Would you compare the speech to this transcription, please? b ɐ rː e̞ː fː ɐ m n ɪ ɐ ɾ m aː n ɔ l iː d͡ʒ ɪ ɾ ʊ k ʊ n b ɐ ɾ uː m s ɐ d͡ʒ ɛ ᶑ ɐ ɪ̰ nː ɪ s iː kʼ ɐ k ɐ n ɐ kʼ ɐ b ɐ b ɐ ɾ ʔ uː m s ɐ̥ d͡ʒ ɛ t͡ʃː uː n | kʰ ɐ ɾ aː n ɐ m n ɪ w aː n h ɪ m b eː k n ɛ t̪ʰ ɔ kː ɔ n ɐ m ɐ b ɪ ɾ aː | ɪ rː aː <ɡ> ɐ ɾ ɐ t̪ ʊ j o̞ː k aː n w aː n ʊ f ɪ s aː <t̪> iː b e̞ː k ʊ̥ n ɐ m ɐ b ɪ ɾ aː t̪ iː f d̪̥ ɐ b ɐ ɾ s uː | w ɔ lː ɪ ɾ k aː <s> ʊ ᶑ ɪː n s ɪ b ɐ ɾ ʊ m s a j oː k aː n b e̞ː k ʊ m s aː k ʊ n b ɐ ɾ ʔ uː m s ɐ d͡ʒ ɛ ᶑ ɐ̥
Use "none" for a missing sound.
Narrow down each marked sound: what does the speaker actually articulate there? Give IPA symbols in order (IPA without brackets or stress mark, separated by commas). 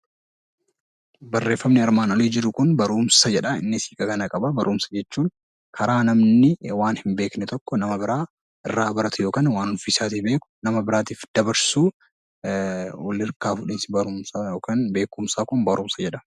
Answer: b, t̪, f